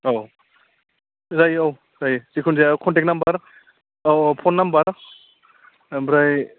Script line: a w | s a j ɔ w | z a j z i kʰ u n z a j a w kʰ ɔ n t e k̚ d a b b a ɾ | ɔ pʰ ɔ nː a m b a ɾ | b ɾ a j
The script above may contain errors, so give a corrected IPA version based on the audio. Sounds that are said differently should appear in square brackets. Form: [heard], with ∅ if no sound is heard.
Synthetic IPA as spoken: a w | [z] a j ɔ w | z a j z i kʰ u n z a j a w kʰ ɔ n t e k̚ [n] a [m] b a ɾ | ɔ pʰ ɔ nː a m b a ɾ | b ɾ a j